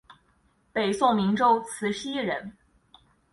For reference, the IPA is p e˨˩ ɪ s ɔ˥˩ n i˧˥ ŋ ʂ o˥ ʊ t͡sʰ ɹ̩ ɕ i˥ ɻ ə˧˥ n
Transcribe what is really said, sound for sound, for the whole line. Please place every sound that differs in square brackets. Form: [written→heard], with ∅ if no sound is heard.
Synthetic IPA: p e˨˩ ɪ s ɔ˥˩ [n→m] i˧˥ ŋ [ʂ→ʈ͡ʂ] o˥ ʊ t͡sʰ ɹ̩ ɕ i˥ ɻ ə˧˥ n